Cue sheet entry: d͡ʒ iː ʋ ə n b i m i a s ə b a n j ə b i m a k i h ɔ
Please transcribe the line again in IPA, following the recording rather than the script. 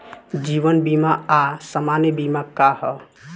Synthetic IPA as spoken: d͡ʒ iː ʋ ə n b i m a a s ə m a n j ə b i m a k a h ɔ